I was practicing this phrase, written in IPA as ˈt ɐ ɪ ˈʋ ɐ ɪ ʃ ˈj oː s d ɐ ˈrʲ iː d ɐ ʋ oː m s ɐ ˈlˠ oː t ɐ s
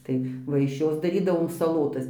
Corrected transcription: ˈt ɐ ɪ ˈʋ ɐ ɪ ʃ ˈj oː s d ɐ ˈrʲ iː d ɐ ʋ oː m s ɐ ˈlˠ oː t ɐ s